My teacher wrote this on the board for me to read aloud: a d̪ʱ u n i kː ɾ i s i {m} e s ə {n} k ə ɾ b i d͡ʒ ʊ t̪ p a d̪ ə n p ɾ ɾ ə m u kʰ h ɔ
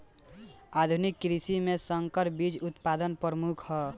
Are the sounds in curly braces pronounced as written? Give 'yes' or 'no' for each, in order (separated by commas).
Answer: yes, no